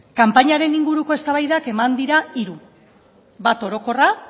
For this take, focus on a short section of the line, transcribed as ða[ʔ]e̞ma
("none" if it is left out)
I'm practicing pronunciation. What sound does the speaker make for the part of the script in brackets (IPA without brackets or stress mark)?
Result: k